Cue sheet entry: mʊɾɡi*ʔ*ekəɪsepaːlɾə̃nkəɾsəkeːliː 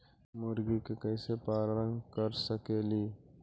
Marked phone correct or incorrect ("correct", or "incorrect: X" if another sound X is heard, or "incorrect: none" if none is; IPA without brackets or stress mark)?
incorrect: k